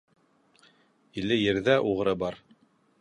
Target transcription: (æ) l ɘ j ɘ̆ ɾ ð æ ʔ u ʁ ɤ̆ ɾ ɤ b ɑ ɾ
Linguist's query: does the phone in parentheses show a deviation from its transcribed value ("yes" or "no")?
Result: yes